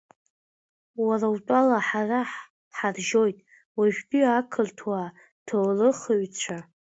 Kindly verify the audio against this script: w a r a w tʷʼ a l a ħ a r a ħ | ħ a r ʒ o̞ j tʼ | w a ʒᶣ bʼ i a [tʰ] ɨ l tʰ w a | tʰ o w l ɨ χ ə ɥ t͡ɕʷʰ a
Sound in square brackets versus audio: incorrect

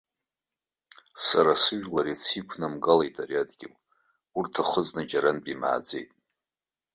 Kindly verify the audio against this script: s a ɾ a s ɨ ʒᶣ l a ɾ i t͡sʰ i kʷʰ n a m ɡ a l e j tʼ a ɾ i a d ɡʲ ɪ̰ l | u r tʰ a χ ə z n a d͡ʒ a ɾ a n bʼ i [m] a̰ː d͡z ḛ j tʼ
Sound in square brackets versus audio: correct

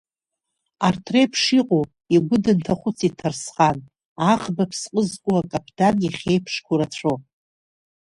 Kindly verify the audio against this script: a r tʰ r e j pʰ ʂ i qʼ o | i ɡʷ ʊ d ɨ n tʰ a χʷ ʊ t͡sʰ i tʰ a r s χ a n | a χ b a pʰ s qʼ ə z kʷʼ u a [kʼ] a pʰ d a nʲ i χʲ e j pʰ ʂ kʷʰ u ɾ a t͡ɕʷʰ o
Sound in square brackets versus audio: correct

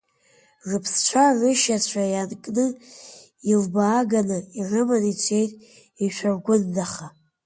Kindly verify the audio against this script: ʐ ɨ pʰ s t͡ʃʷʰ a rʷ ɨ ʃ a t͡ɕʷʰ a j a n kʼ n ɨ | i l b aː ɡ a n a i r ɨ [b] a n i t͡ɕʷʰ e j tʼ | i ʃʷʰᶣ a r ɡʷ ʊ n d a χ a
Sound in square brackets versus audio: incorrect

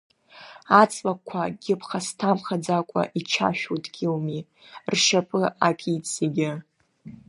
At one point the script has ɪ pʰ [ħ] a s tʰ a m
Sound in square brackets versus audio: incorrect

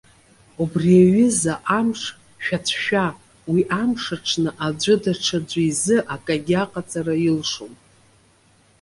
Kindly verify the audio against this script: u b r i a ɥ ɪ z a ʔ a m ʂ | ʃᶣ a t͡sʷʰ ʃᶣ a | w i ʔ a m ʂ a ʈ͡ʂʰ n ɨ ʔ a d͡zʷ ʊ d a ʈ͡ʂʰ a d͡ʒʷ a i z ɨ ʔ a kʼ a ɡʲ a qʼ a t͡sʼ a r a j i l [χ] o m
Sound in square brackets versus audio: incorrect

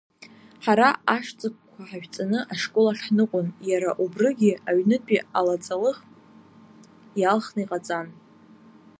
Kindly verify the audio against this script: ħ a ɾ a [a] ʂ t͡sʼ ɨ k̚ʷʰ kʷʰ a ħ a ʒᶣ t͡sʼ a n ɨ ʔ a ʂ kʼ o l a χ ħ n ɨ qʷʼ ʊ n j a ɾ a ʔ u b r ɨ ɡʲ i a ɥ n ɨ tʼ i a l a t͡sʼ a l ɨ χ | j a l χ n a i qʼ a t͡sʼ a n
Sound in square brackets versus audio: correct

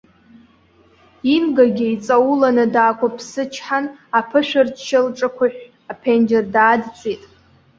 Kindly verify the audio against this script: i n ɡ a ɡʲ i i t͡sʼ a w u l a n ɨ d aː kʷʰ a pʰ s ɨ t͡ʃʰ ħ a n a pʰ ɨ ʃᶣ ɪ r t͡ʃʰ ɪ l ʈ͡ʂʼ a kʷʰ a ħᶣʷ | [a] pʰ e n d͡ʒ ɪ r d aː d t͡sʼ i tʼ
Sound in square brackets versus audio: correct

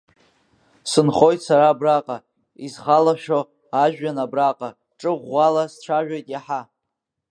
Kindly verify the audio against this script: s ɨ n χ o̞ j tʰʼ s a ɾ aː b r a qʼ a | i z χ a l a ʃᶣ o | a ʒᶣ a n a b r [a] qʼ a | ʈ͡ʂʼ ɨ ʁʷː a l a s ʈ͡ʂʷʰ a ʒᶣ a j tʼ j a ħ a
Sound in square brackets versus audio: correct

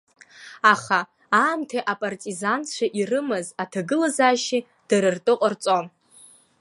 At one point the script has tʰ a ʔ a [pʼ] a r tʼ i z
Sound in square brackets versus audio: correct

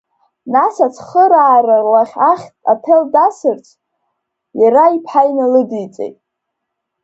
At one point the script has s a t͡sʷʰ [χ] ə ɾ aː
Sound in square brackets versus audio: correct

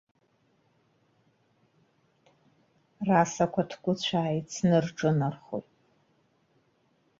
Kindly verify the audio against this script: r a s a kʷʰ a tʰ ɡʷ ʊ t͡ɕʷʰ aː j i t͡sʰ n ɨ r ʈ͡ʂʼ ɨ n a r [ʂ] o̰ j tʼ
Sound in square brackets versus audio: incorrect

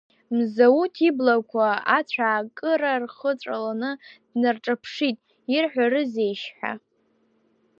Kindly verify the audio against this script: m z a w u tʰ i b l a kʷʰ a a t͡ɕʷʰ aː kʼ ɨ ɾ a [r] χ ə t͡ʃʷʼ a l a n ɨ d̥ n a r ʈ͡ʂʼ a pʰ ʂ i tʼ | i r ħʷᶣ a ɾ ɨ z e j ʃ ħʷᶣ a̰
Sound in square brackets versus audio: correct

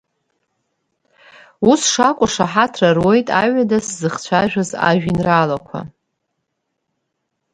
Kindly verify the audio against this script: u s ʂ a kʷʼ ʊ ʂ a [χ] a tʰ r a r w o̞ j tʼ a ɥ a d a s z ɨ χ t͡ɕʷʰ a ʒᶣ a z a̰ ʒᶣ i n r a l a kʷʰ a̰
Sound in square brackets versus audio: incorrect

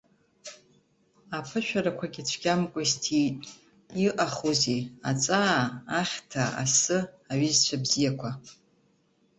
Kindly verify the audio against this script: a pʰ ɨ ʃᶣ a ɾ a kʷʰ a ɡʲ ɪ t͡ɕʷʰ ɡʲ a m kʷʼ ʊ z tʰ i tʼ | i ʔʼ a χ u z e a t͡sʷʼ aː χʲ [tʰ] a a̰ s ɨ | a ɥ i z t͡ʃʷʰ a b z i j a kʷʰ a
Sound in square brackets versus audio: correct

